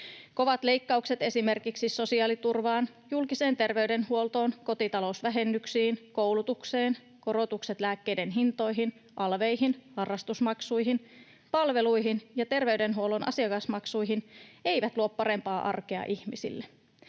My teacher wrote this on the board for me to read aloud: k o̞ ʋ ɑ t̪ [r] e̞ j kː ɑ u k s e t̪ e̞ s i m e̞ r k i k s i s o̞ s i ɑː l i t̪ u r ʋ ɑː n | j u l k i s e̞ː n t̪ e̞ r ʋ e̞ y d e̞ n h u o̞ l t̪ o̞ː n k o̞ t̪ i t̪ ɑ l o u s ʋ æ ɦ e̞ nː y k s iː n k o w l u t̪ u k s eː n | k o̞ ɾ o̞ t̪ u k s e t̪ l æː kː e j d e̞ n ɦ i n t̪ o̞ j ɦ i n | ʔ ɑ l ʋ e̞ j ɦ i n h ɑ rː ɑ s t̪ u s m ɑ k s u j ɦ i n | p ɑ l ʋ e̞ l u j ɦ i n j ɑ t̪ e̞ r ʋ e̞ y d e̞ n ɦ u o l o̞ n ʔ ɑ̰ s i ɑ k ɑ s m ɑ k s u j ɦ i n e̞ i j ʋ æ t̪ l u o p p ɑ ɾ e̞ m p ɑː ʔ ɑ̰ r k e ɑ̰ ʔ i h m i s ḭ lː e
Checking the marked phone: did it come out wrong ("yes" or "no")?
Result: yes